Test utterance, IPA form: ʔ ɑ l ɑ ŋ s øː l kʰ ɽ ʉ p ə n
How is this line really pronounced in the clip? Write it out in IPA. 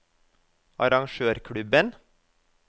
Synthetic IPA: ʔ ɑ ɾ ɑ ŋ ʃ øː ɾ kʰ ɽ ʉ b ə n